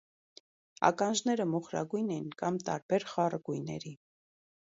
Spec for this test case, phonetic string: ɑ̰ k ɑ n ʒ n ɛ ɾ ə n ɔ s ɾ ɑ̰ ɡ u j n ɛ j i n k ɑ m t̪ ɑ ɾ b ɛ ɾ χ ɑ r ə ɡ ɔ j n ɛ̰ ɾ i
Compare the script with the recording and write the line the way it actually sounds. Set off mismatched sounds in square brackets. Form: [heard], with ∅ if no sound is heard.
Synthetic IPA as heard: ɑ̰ k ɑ n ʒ n ɛ ɾ ə [m] ɔ [χ] ɾ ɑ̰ ɡ u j n ɛ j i n k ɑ m t̪ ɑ ɾ b ɛ ɾ χ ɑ r ə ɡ [u] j n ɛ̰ ɾ i